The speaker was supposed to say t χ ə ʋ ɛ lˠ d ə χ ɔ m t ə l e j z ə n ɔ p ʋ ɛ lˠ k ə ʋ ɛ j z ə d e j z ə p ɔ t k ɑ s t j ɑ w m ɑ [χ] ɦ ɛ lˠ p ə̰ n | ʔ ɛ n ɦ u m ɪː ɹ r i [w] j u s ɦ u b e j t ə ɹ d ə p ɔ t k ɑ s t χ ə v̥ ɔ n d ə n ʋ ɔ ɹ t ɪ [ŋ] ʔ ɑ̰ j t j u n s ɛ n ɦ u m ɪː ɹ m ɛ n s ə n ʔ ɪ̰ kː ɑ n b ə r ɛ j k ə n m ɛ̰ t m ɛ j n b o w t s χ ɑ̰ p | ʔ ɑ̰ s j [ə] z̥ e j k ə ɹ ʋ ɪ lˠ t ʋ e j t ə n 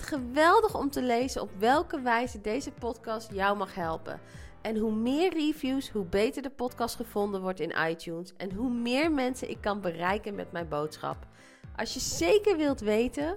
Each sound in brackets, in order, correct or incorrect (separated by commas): correct, incorrect, incorrect, correct